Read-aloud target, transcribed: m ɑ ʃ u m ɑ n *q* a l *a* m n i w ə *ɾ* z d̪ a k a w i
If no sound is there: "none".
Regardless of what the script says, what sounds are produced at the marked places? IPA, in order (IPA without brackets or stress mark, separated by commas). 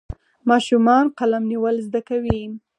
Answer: q, a, l